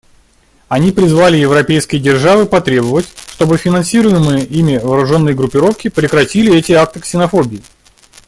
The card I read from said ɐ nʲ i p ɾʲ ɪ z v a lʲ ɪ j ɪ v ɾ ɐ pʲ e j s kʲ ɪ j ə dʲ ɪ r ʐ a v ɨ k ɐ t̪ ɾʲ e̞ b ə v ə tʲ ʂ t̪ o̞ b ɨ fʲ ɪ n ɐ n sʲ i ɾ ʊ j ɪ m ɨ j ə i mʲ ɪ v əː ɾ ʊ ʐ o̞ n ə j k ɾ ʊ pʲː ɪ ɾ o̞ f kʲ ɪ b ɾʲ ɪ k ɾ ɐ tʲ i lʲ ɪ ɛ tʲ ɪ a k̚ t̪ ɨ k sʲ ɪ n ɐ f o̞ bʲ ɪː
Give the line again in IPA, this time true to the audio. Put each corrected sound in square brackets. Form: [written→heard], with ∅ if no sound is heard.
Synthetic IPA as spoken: ɐ nʲ i p ɾʲ ɪ z v a lʲ ɪ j ɪ v ɾ ɐ pʲ e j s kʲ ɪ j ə dʲ ɪ r ʐ a v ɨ [k→p] ɐ t̪ ɾʲ e̞ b ə v ə tʲ ʂ t̪ o̞ b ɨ fʲ ɪ n ɐ n sʲ i ɾ ʊ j ɪ m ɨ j ə i mʲ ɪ v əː ɾ ʊ ʐ o̞ [n→nː] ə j [k→ɡ] ɾ ʊ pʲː ɪ ɾ o̞ f kʲ ɪ [b→p] ɾʲ ɪ k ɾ ɐ tʲ i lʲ ɪ ɛ tʲ ɪ a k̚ t̪ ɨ k sʲ ɪ n ɐ f o̞ bʲ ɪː